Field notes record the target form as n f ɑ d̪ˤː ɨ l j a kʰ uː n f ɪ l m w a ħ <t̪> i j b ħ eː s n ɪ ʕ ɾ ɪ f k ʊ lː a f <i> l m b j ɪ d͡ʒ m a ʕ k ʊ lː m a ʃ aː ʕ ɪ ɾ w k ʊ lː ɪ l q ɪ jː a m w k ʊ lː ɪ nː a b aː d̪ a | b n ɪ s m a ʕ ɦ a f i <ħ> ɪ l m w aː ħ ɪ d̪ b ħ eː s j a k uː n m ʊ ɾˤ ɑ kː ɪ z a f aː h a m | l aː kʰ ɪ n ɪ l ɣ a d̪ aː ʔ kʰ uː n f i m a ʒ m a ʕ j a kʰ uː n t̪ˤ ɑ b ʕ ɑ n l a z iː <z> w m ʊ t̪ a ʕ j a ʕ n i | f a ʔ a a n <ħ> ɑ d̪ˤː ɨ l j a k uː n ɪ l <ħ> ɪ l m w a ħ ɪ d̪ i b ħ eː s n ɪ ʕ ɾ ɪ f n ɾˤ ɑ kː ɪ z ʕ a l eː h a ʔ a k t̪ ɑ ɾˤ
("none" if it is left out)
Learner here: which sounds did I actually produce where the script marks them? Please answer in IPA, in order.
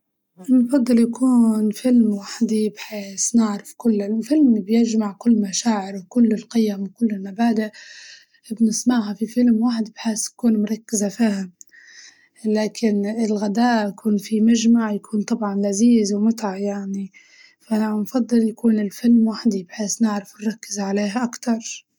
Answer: d̪, ɪ, f, z, f, f

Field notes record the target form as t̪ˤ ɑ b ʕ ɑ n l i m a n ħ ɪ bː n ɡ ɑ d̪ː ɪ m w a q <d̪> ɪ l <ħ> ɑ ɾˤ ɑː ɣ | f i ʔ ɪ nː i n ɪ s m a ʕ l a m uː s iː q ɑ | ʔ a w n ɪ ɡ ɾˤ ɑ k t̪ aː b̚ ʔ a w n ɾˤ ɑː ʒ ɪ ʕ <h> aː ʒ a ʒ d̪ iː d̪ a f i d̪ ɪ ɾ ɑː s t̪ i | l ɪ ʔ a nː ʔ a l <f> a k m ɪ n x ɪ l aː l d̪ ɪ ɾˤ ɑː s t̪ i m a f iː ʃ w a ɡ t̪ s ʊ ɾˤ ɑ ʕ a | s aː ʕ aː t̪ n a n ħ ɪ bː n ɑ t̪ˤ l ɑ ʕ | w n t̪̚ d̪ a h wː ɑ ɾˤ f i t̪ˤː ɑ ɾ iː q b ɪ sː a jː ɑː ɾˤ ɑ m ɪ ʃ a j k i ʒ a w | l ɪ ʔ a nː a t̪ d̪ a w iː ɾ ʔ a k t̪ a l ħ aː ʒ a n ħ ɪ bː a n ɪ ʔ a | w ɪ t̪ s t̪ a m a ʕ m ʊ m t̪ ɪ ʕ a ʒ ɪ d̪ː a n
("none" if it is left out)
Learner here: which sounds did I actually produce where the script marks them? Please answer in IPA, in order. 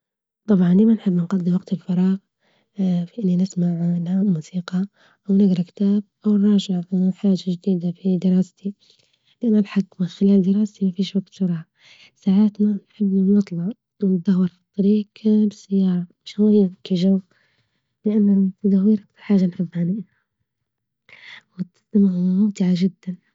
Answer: t̪, f, ħ, ħ

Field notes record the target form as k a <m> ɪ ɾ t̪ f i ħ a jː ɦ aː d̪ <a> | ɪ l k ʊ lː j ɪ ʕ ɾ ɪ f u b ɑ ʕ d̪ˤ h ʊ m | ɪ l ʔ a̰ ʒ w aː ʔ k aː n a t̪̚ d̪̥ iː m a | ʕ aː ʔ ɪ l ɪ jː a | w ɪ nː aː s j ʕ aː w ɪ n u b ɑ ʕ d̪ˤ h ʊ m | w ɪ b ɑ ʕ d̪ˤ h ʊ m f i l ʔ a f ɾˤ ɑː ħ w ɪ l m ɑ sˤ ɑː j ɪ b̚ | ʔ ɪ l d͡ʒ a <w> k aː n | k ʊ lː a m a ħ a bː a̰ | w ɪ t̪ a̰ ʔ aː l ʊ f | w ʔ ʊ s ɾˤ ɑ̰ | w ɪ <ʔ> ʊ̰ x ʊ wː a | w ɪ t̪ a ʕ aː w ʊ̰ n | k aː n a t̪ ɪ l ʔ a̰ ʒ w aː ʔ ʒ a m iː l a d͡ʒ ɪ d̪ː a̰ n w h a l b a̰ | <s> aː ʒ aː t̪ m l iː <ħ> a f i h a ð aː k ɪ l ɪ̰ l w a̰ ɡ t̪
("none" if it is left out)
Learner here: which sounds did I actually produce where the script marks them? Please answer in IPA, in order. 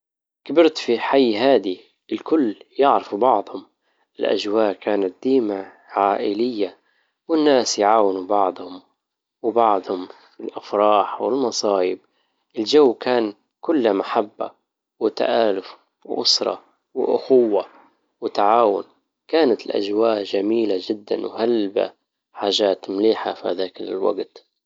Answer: b, i, wː, ʔ, ħ, ħ

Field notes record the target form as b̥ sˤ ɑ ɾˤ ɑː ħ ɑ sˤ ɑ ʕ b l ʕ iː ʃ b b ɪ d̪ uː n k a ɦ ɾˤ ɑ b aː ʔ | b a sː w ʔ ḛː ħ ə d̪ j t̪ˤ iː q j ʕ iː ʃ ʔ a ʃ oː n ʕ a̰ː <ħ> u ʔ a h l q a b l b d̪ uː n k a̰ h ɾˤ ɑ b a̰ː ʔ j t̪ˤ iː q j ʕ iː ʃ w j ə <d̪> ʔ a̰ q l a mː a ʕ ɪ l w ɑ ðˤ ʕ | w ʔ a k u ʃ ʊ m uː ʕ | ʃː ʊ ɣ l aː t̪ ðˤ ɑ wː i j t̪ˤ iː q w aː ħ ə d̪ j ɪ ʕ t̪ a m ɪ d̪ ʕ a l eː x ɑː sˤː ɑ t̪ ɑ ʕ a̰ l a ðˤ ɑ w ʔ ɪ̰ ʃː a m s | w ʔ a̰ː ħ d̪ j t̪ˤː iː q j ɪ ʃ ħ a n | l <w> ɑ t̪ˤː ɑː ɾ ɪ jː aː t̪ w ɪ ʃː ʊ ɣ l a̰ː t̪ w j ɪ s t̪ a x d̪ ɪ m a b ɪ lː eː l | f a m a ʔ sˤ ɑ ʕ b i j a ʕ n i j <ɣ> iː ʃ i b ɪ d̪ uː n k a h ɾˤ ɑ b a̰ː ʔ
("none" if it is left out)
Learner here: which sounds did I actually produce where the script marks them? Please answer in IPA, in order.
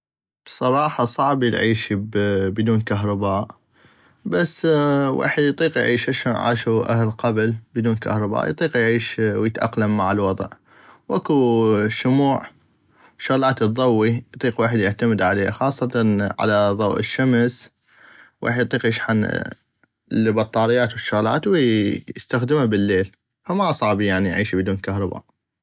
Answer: ʃ, t̪, b, ʕ

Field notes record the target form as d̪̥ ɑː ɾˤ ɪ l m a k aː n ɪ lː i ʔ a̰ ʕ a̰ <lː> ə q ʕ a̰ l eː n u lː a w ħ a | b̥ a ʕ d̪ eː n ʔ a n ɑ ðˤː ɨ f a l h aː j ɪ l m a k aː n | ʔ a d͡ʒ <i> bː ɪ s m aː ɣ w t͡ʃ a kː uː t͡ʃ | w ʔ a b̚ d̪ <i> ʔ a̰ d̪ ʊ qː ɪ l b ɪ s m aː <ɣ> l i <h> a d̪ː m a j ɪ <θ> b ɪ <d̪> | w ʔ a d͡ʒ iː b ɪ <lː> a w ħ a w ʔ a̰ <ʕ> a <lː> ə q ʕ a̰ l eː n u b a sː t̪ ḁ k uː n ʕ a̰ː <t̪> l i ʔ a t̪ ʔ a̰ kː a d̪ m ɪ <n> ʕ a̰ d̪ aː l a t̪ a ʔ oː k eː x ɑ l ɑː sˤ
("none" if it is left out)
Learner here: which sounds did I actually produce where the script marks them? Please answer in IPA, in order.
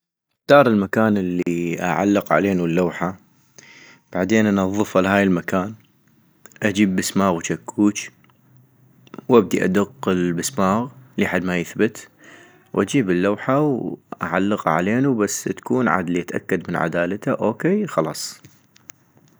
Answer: lː, iː, i, ɣ, ħ, θ, t̪, lː, ʕ, lː, d̪, n

